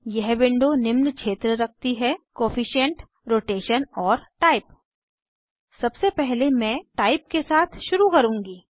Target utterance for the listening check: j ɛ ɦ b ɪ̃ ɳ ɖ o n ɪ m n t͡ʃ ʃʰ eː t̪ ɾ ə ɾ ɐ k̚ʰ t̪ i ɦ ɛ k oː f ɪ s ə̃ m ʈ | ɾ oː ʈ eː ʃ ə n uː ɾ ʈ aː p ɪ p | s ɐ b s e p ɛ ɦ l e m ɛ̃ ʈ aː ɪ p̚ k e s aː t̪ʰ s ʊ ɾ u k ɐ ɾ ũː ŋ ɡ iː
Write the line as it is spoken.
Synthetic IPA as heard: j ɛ ɦ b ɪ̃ ɳ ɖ o n ɪ m n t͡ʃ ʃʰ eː t̪ ɾ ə ɾ ɐ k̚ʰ t̪ i ɦ ɛ k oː f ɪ ʃ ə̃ ɳ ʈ | ɾ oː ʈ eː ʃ ə n ɔː ɾ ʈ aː ɪ p | s ɐ b s e p ɛ ɦ l e m ɛ̃ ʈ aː ɪ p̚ k e s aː t̪ʰ ʃ ʊ ɾ u k ɐ ɾ ũː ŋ ɡ iː

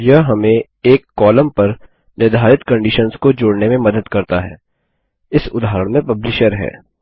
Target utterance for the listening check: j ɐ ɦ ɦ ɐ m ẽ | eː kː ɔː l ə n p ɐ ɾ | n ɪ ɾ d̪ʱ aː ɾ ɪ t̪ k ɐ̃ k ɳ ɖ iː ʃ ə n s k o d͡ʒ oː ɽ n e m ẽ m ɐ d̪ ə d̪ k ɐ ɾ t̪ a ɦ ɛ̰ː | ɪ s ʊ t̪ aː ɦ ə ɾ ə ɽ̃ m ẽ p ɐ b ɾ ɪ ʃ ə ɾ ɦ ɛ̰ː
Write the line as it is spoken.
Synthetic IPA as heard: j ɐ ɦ ɦ ɐ m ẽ | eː kː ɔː l ə m p ɐ ɾ | n ɪ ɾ d̪ʱ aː ɾ ɪ t̪ k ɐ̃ ɳ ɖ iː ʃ ə n s k o d͡ʒ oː ɽ n e m ẽ m ɐ d̪ ə d̪ k ɐ ɾ t̪ a ɦ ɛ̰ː | ɪ s ʊ d̪ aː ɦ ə ɾ ə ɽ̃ m ẽ p ɐ b l ɪ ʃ ə ɾ ɦ ɛ̰ː

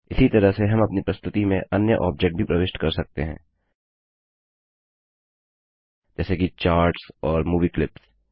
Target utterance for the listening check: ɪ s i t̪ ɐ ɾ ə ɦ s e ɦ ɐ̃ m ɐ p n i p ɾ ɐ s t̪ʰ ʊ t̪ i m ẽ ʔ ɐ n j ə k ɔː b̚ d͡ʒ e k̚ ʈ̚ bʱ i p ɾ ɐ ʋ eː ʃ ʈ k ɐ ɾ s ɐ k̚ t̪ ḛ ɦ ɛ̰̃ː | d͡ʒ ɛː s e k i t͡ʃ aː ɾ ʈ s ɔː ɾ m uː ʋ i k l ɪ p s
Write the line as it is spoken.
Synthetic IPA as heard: ɪ s i t̪ ɐ ɾ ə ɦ s e ɦ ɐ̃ m ɐ p n i p ɾ ɐ s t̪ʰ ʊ t̪ i m ẽ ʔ ɐ n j ə ʔ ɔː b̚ d͡ʒ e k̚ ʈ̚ bʱ i p ɾ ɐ ʋ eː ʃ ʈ k ɐ ɾ s ɐ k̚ t̪ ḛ ɦ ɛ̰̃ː | d͡ʒ ɛː s e k i t͡ʃ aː ɾ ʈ s ɔː ɾ m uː ʋ i k l ɪ p s

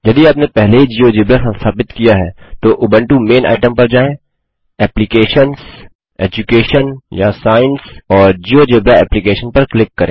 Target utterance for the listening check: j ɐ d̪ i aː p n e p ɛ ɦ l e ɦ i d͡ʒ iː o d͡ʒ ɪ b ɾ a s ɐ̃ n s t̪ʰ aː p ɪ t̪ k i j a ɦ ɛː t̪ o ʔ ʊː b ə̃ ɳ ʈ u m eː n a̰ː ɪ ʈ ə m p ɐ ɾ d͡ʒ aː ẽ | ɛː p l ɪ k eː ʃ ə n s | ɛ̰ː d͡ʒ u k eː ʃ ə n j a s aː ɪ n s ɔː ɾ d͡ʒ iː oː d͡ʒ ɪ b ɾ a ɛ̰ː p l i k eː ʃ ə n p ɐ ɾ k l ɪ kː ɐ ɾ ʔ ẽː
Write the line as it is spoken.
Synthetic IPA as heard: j ɐ d̪ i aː p n e p ɛ ɦ l e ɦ i d͡ʒ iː o d͡ʒ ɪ b ɾ a s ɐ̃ n s t̪ʰ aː p ɪ t̪ k i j a ɦ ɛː t̪ o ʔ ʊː b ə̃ ɳ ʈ u m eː n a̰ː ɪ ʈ ə m p ɐ ɾ d͡ʒ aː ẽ | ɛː p l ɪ k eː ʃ ə n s | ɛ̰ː d͡ʒ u k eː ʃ ə n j a s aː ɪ n s ɔː ɾ d͡ʒ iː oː d͡ʒ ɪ b ɾ a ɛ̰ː p l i k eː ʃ ə n p ɐ ɾ k l ɪ kː ɐ ɾ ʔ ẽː

